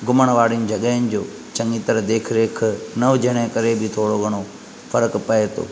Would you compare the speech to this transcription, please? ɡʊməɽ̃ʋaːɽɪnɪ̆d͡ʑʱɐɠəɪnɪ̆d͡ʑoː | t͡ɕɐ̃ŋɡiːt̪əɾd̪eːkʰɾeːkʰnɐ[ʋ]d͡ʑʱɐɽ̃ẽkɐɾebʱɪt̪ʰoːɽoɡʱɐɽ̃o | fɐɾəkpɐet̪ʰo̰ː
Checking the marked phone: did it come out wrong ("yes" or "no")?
no